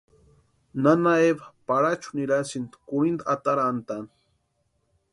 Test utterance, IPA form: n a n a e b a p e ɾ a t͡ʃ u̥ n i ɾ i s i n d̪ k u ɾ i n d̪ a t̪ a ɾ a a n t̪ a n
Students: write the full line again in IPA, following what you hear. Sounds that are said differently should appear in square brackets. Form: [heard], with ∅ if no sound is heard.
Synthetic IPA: n a n a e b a p [a] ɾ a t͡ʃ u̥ n i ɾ [a] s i n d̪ k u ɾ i n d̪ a t̪ a ɾ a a n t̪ a n